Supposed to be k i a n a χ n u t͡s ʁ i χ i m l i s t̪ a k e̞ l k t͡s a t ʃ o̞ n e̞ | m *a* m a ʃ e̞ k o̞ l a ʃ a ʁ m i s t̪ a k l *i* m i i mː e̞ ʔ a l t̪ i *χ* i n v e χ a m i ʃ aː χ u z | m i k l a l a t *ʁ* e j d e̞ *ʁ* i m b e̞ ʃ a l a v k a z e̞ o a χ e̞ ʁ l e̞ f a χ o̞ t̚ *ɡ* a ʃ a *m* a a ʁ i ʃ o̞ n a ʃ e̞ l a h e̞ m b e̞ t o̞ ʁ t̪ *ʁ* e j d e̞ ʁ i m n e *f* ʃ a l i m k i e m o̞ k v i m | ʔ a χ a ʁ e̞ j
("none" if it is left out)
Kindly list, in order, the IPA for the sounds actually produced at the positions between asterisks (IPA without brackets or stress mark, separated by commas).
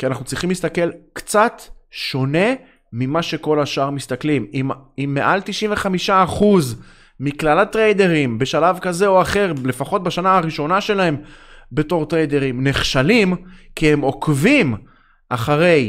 i, i, ʃ, ʁ, ʁ, b, n, ʁ, χ